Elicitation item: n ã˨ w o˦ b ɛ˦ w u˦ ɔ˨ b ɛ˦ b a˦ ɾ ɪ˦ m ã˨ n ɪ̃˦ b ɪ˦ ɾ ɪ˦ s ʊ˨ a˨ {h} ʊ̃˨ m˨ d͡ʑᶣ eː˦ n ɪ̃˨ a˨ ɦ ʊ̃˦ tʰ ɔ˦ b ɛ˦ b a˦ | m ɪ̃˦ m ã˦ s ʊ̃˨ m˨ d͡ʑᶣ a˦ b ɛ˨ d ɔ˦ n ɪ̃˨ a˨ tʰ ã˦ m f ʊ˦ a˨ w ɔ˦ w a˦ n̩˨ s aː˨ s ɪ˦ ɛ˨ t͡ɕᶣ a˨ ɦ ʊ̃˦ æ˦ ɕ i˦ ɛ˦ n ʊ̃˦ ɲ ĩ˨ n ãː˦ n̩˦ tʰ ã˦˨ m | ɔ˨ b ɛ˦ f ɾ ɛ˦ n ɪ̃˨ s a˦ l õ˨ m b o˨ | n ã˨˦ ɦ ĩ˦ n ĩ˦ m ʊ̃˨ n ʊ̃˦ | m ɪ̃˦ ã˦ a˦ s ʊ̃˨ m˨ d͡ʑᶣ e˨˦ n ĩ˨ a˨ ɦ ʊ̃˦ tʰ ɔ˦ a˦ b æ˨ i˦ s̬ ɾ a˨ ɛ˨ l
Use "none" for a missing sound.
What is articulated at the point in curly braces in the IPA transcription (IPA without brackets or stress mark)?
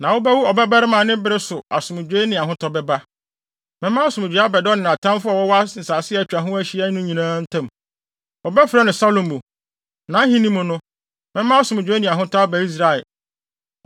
s